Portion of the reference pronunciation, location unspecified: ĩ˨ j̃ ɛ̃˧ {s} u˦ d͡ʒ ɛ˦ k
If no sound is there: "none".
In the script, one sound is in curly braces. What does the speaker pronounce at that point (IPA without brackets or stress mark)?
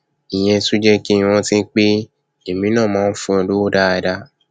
s